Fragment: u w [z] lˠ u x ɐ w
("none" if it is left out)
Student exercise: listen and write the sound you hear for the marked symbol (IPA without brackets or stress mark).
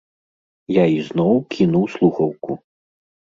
s